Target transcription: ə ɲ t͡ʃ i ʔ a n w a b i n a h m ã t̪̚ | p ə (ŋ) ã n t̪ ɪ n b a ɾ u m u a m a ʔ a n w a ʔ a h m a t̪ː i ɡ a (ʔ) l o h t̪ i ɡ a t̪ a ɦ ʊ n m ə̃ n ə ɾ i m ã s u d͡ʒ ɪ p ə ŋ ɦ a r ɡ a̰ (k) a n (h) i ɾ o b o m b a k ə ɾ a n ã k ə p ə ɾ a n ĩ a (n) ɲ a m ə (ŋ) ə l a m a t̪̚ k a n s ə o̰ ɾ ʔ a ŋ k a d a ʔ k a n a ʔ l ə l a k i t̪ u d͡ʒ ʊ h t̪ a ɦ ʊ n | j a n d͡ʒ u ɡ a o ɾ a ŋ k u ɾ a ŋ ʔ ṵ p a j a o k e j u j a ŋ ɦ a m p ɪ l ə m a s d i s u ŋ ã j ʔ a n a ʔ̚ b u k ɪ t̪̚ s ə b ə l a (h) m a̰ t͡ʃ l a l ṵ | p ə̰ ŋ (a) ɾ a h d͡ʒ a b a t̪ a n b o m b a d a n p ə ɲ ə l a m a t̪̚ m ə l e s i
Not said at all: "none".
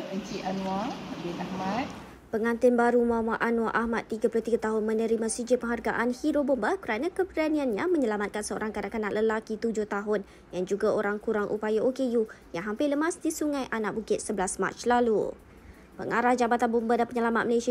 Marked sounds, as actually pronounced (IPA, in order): ŋ, p, ʔ, h, n, ɲ, s, a

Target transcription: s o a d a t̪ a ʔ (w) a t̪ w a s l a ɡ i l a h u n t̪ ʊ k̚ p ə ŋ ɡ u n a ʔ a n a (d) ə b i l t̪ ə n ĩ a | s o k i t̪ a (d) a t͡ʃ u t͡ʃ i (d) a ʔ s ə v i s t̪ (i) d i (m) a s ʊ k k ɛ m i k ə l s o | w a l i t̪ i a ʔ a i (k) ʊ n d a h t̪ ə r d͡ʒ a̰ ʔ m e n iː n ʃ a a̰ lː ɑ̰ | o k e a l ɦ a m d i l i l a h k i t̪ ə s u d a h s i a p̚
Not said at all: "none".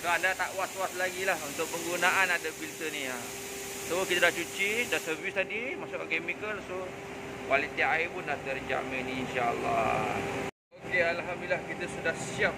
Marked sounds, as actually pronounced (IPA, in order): w, d, d, d, a, m, p

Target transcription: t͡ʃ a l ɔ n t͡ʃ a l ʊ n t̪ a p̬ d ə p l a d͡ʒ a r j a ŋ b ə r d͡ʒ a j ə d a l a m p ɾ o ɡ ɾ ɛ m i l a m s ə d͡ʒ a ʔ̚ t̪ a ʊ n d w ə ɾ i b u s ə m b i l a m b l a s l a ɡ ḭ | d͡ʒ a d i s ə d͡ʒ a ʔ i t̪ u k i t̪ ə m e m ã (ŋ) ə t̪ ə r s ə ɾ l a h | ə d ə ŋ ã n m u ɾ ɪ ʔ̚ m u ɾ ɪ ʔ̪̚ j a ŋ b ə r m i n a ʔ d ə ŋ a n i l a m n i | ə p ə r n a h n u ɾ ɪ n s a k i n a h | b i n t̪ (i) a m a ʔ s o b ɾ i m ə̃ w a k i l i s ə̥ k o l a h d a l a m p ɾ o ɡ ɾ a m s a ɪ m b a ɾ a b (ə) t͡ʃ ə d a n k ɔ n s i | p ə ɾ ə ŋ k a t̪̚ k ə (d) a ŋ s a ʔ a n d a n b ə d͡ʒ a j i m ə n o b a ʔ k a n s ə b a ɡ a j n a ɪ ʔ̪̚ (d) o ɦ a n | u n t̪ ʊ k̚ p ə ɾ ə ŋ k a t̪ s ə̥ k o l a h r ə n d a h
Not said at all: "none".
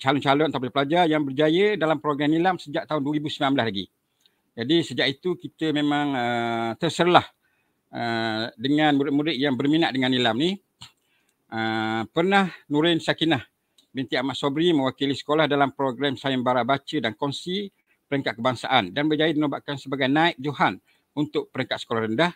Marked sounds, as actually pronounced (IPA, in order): ŋ, i, a, b, d͡ʒ

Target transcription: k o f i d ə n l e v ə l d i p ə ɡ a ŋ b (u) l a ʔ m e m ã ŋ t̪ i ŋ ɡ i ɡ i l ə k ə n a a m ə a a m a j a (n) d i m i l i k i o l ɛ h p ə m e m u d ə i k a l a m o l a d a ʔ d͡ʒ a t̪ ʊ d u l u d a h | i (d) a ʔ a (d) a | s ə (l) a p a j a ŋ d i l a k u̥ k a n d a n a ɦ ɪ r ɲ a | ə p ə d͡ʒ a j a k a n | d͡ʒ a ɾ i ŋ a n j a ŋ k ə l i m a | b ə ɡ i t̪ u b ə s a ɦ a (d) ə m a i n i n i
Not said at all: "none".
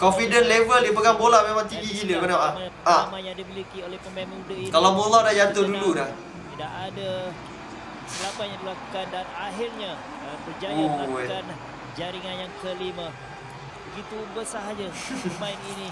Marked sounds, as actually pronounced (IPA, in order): o, ŋ, d, d, l, d͡ʒ

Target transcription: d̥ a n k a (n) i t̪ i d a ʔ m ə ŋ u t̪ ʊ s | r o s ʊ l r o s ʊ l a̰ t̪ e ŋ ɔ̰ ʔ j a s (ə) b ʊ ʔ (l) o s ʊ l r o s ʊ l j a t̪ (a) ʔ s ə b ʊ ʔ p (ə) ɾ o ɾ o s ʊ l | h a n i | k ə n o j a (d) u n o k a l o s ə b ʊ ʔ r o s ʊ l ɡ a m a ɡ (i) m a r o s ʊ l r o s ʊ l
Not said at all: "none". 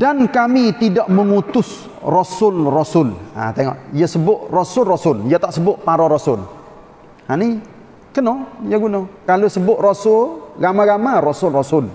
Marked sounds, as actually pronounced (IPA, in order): m, ə, r, a, a, ɡ, a

